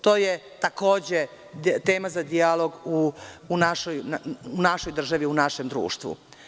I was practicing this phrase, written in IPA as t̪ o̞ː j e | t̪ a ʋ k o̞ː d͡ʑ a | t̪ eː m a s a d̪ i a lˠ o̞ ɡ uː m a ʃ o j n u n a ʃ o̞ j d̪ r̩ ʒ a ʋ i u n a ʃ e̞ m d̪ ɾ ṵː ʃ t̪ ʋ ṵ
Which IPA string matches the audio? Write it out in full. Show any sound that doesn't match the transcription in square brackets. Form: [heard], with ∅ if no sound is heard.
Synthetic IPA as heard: t̪ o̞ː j e | t̪ a [∅] k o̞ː d͡ʑ [e] | t̪ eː m a [z] a d̪ i a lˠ o̞ ɡ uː [n] a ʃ o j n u n a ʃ o̞ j d̪ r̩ ʒ a ʋ i u n a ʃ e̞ m d̪ ɾ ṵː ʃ t̪ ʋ ṵ